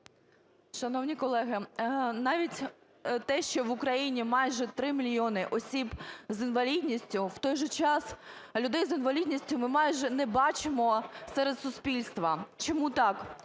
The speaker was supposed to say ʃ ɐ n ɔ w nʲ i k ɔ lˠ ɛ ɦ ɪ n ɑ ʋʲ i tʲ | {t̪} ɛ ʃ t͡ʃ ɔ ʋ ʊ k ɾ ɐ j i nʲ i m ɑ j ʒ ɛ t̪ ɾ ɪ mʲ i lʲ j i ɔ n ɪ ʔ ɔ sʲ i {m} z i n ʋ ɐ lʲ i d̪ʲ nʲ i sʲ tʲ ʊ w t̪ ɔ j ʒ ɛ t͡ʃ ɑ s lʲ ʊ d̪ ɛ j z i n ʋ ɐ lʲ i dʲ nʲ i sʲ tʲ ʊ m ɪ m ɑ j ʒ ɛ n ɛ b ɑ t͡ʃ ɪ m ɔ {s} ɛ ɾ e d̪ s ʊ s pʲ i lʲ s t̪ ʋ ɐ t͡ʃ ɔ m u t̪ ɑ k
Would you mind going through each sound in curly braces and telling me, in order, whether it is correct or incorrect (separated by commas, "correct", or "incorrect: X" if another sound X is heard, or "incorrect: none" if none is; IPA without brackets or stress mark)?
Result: correct, incorrect: b, correct